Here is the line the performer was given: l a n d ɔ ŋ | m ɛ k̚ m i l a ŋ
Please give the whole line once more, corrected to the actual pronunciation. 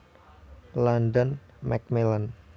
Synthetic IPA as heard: l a n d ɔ n | m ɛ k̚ m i l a n